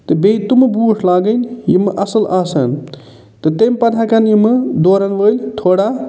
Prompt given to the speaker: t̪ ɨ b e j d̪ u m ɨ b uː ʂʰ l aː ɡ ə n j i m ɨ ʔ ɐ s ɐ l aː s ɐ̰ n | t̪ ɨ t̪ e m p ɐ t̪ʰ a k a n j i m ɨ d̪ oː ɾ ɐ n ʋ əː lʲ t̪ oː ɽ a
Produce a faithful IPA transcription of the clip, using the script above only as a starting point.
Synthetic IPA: t̪ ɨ b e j t̪ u m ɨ b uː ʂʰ l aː ɡ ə n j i m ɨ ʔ ɐ s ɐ l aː s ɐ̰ n | t̪ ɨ t̪ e m p ɐ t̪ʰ a k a n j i m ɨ d̪ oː ɾ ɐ n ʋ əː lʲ t̪ʰ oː ɽ a